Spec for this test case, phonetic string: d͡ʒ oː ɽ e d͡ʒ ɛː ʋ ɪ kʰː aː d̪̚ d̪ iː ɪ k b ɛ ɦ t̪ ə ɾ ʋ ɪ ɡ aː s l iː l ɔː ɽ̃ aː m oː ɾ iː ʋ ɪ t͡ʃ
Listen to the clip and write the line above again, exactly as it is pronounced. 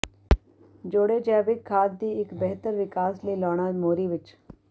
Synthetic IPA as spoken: d͡ʒ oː ɽ e d͡ʒ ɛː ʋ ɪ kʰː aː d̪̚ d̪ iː ɪ k b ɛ ɦ t̪ ə ɾ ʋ ɪ k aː s l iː l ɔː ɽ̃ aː m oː ɾ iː ʋ ɪ t͡ʃ